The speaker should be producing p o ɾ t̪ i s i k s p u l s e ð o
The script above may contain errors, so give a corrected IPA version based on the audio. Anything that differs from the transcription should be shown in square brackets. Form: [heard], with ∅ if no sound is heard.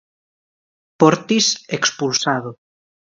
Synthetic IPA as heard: p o ɾ t̪ i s [e] k s p u l s [a] ð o

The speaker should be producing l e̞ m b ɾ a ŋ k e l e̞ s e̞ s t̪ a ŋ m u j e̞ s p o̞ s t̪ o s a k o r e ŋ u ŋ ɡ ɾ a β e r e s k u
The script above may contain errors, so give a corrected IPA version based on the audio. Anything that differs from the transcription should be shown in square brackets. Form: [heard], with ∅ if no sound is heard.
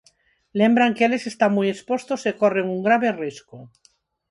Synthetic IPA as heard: l e̞ m b ɾ a ŋ k e l e̞ s e̞ s t̪ a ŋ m u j e̞ s p o̞ s t̪ o s [e] k o r e ŋ u ŋ ɡ ɾ a β e r [i] s k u

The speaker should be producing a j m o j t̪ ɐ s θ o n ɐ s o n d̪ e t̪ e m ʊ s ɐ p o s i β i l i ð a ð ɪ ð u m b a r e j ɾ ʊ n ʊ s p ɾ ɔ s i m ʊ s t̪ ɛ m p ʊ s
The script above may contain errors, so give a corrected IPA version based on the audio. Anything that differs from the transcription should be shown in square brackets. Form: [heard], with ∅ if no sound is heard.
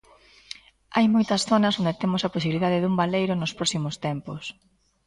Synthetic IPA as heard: a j m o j t̪ ɐ s θ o n ɐ s o n d̪ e t̪ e m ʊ s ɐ p o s i β i l i ð a ð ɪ ð u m b a [l] e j ɾ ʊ n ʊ s p ɾ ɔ s i m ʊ s t̪ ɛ m p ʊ s

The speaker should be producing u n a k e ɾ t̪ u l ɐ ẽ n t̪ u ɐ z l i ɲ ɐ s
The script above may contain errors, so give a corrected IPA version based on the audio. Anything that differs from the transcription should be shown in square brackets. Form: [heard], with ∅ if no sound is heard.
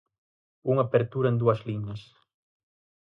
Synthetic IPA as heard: u [ŋ] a [p] e ɾ t̪ u [ɾ] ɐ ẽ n [d̪] u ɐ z l i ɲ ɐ s

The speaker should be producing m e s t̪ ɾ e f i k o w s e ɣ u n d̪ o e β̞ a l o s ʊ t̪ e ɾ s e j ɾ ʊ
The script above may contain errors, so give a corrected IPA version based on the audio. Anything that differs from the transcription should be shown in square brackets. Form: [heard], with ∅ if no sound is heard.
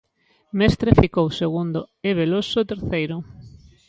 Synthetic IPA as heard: m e s t̪ ɾ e f i k o w s e ɣ u n d̪ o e β̞ [e] l o s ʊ t̪ e ɾ [θ] e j ɾ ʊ

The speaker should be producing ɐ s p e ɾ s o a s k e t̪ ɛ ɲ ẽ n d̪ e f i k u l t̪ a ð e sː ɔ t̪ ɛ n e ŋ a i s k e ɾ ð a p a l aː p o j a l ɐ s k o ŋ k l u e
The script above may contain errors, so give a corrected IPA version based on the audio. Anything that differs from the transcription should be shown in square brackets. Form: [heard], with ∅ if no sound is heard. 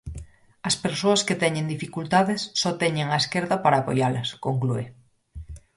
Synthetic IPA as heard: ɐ s p e ɾ s o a s k e t̪ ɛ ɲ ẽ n d̪ [i] f i k u l t̪ a ð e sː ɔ t̪ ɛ [ɲ] e ŋ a [e] s k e ɾ ð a p a [ɾ] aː p o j a l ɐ s k o ŋ k l u e

